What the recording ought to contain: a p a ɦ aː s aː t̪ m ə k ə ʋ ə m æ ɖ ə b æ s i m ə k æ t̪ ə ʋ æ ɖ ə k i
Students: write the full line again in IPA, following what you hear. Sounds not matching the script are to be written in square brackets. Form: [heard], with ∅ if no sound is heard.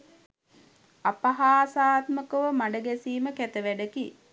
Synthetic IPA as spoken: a p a ɦ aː s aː t̪ m ə k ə ʋ ə m [a] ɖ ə [ɡ] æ s [iː] m ə k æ t̪ ə ʋ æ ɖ ə k i